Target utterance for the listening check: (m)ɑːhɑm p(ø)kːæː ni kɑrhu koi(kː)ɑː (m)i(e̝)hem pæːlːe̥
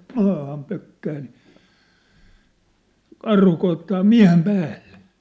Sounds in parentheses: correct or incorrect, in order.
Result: correct, correct, incorrect: tː, correct, incorrect: æ̝

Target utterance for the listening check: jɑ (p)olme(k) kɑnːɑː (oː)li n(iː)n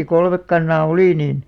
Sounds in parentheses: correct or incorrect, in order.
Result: incorrect: k, correct, incorrect: o, correct

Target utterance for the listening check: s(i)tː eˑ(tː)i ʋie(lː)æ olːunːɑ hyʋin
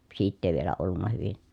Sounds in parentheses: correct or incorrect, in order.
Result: incorrect: iː, incorrect: none, incorrect: l

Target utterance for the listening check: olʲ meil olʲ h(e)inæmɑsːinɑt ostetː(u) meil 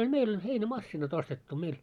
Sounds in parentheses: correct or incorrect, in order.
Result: correct, correct

